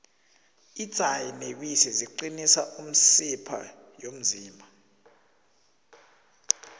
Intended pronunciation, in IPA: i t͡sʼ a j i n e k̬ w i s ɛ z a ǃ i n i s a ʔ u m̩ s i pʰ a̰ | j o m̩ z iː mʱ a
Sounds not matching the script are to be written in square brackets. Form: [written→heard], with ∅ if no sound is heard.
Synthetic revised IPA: i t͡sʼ a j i n e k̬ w i s ɛ z [a→i] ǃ i n i s a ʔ u m̩ s i pʰ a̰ | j o m̩ z iː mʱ a